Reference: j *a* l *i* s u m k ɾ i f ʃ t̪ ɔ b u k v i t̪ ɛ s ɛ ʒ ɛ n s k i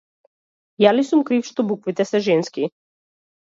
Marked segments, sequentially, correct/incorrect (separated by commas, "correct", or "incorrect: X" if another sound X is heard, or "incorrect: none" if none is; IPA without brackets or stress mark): correct, correct